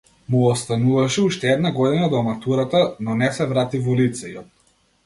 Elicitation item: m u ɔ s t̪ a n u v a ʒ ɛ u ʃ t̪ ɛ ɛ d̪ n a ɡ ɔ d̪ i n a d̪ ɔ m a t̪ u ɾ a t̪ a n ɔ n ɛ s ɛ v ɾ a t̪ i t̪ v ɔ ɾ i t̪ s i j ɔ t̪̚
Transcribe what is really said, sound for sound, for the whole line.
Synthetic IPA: m u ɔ s t̪ a n u v a ʃ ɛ u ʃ t̪ ɛ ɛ d̪ n a ɡ ɔ d̪ i n a d̪ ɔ m a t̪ u ɾ a t̪ a n ɔ n ɛ s ɛ v ɾ a t̪ i v ɔ l i t̪ s ɛ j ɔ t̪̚